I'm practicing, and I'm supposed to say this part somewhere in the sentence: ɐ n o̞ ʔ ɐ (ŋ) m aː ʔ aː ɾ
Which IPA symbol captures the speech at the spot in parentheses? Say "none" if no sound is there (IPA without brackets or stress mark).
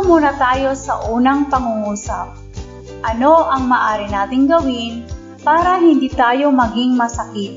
ŋ